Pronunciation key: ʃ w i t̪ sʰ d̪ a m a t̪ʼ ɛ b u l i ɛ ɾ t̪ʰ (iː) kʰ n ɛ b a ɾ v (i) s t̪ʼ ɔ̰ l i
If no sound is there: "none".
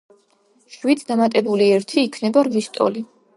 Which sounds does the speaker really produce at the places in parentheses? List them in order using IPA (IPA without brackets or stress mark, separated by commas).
iː, i